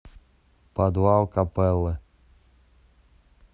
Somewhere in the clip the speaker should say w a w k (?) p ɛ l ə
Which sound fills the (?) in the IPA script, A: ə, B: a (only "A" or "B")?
B